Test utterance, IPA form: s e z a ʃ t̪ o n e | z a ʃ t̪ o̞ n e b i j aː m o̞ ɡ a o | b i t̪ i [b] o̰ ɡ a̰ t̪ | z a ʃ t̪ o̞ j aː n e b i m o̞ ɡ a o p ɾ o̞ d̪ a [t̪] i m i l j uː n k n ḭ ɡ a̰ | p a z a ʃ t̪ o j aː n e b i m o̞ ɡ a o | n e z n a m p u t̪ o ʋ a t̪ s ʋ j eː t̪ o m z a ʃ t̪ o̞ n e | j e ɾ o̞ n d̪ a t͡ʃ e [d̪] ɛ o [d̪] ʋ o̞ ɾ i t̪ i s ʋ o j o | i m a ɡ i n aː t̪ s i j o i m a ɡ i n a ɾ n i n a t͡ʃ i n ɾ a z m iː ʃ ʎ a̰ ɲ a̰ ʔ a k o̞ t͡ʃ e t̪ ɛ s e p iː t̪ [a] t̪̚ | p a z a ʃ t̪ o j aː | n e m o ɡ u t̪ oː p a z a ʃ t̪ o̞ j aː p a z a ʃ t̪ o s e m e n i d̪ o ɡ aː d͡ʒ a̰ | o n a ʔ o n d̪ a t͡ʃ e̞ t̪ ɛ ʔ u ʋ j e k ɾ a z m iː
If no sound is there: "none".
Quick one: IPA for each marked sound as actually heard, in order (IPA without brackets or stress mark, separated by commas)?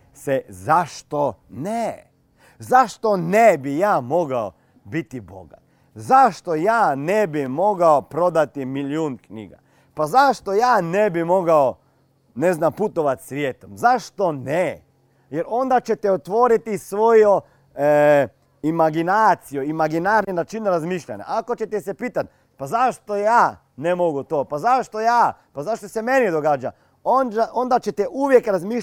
b, t̪, t̪, t̪, a